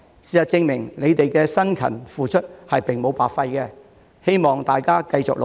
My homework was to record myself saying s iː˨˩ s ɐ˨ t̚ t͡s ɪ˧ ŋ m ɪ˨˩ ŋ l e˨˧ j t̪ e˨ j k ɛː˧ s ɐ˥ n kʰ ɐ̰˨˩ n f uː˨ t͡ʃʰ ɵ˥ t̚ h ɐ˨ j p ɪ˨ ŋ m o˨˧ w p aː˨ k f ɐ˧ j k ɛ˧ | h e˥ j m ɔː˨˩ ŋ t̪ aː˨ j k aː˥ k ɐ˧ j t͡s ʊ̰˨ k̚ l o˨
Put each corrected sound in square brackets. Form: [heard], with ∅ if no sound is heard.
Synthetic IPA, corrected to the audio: s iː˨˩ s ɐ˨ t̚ t͡s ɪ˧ ŋ m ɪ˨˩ ŋ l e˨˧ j t̪ e˨ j k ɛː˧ s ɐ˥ n kʰ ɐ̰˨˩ n f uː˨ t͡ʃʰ ɵ˥ t̚ h ɐ˨ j p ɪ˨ ŋ m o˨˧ w p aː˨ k f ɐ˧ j k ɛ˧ | h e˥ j m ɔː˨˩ ŋ t̪ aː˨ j k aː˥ k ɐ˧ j t͡s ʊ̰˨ k̚ l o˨